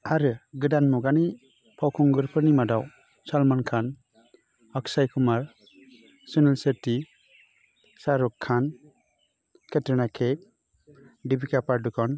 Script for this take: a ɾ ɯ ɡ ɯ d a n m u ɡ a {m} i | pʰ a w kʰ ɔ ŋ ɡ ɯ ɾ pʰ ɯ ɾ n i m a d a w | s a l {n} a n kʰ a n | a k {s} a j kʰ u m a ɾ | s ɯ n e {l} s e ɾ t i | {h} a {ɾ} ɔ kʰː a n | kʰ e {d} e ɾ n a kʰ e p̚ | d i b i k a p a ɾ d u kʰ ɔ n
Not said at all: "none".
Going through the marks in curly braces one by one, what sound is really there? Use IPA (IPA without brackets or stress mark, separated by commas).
n, m, s, l, s, ɾ, t